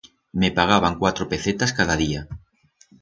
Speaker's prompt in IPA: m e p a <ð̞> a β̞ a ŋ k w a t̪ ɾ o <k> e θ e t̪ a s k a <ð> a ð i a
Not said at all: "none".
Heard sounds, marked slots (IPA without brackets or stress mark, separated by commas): ɣ̞, p, ð